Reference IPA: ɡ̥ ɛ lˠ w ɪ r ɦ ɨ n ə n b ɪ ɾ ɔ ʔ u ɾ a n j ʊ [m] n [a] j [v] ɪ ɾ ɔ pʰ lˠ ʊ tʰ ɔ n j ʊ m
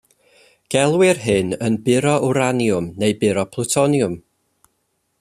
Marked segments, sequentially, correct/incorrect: correct, incorrect: e, incorrect: b

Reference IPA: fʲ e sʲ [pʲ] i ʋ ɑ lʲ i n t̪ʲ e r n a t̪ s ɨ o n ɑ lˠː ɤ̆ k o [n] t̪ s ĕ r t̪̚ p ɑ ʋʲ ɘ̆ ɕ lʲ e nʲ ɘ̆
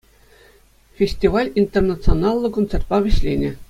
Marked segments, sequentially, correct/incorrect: incorrect: tʲ, correct

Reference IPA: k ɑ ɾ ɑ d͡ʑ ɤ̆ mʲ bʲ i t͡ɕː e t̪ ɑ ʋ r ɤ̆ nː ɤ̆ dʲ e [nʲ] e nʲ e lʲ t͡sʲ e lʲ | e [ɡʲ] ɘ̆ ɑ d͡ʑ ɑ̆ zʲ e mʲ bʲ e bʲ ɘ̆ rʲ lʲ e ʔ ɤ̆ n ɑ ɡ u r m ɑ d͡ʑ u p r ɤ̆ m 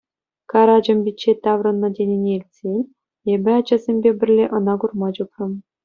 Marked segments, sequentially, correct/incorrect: correct, incorrect: bʲ

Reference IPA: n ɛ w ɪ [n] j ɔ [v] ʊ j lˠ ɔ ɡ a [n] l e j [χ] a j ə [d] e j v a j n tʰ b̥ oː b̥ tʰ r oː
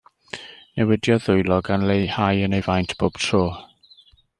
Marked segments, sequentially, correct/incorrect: incorrect: d, incorrect: ð, correct, incorrect: h, incorrect: n

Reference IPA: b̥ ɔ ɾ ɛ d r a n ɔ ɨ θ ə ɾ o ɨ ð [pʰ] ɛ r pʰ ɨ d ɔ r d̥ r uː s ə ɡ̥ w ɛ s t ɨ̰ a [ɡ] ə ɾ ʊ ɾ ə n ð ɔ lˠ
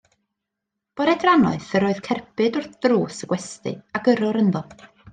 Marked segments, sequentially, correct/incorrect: incorrect: kʰ, correct

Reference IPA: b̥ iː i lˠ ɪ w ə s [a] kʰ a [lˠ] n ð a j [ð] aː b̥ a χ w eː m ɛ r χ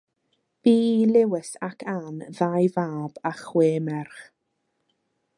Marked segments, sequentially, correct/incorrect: correct, incorrect: none, incorrect: v

